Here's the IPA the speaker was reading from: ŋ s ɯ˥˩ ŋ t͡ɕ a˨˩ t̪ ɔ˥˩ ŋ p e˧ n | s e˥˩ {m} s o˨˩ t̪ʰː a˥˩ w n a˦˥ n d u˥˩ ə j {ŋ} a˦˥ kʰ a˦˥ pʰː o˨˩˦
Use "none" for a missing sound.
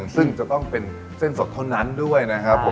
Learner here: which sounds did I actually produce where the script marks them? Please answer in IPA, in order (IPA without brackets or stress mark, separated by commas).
n, n